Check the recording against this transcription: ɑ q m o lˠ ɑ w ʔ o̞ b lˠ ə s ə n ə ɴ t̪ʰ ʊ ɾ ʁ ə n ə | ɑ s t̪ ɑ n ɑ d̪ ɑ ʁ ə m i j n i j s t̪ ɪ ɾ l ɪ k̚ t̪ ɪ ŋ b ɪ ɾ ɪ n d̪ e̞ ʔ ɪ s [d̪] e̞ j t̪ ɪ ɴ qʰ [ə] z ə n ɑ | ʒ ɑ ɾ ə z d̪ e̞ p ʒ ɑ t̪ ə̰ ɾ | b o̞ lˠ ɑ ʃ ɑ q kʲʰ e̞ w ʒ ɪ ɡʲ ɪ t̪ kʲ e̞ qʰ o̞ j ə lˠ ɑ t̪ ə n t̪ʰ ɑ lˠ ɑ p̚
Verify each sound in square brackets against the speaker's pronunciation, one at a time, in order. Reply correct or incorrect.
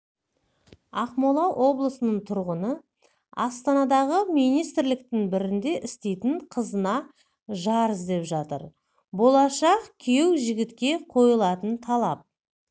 incorrect: t̪, correct

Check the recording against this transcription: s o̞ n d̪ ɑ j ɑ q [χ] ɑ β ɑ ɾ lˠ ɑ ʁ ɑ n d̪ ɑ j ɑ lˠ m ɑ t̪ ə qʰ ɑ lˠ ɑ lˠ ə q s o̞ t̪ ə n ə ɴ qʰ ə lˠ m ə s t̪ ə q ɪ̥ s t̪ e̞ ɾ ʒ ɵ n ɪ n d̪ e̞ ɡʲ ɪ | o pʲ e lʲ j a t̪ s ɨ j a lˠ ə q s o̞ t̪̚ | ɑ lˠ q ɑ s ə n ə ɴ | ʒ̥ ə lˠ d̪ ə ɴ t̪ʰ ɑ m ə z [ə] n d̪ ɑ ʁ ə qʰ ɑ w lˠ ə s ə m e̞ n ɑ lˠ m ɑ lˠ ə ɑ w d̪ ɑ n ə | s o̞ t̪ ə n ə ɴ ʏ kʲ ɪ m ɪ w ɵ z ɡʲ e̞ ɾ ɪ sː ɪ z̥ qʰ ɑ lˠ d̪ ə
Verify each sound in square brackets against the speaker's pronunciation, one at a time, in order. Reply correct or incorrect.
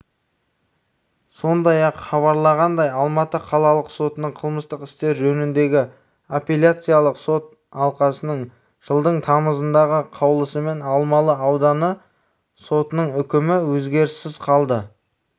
correct, correct

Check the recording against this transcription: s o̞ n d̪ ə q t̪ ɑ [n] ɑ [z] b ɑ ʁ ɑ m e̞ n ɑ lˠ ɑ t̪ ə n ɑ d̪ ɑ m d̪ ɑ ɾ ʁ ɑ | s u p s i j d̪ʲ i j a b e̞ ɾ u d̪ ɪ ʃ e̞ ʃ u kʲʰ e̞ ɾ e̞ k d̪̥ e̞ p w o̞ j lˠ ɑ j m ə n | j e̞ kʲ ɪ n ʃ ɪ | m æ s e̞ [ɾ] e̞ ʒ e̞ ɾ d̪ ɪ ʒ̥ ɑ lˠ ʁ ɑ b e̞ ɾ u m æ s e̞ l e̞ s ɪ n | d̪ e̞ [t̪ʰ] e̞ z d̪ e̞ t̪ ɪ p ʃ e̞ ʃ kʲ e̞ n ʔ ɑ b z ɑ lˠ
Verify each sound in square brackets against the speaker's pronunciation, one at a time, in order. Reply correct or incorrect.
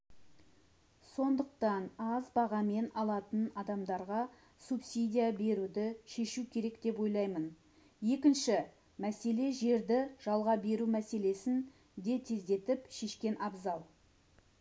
correct, correct, incorrect: l, correct

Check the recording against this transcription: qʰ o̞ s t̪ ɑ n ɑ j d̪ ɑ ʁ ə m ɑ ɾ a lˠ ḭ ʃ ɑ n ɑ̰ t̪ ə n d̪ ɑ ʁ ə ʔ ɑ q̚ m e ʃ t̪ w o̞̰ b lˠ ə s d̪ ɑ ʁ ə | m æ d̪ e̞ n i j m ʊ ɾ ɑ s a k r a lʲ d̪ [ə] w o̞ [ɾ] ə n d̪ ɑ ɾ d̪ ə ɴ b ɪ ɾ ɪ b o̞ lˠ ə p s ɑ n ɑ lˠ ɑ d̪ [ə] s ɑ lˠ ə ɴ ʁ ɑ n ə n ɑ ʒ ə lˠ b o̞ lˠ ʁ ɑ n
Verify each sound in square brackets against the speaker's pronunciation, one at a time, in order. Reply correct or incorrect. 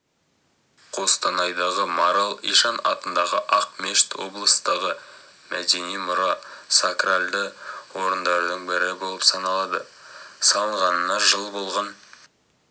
correct, correct, correct

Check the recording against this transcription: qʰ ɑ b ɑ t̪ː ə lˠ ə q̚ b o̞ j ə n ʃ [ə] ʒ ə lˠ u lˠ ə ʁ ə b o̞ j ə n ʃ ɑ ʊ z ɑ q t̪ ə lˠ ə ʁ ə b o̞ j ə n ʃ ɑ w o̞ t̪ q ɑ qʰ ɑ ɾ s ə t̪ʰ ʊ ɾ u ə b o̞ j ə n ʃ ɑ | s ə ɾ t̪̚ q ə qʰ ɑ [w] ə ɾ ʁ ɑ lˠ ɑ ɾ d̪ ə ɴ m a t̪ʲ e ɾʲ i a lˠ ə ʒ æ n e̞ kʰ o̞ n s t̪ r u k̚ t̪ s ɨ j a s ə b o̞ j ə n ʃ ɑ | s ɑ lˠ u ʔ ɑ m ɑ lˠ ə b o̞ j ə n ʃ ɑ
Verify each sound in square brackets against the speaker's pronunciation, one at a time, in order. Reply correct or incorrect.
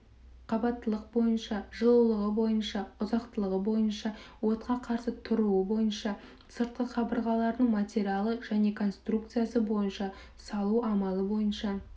incorrect: ɑ, incorrect: b

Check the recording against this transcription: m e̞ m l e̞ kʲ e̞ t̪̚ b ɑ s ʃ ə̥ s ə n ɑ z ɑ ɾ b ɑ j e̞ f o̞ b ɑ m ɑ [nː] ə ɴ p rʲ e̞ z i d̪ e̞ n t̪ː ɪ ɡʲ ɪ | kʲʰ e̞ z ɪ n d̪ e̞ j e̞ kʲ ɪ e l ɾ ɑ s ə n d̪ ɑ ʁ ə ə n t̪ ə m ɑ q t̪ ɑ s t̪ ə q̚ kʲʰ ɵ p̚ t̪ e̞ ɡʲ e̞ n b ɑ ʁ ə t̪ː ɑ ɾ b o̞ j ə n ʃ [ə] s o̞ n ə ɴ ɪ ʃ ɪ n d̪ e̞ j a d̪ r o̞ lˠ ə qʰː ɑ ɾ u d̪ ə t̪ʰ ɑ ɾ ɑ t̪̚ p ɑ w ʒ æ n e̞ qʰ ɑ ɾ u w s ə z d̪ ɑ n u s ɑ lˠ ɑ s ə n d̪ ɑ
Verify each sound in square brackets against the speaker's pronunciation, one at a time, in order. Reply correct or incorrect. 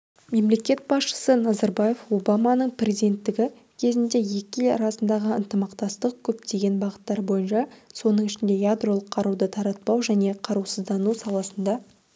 incorrect: n, incorrect: ɑ

